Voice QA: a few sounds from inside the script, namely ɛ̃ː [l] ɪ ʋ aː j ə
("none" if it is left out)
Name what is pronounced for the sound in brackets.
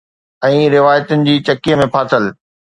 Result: ɾ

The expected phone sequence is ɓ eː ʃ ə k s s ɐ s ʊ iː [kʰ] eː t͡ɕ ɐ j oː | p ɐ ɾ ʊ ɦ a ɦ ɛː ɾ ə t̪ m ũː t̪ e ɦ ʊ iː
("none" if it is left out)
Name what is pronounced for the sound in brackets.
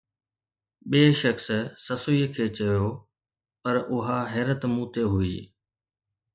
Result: kʰ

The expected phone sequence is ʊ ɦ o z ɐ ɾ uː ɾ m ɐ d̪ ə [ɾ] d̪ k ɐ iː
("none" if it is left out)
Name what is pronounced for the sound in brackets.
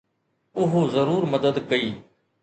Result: none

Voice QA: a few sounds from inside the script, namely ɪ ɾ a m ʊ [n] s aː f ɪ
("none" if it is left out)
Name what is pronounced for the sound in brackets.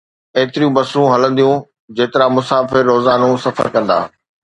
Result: none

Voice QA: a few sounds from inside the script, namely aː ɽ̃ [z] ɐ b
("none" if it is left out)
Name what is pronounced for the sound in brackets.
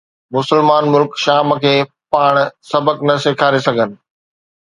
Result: s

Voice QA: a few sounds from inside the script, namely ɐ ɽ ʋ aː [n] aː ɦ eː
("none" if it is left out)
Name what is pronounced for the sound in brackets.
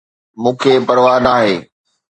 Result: n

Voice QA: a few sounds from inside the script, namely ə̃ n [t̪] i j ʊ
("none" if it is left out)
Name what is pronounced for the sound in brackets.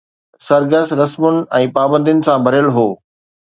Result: d̪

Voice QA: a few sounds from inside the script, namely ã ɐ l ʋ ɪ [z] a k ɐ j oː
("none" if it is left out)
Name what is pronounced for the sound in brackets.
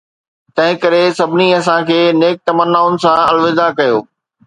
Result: z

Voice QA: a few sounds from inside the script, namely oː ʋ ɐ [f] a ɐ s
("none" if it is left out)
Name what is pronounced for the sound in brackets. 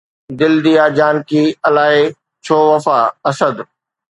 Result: f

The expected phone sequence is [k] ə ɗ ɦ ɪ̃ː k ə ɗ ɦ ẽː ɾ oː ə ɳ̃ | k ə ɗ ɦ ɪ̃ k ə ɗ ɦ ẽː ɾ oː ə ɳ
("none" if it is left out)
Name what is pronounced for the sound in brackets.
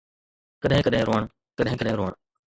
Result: k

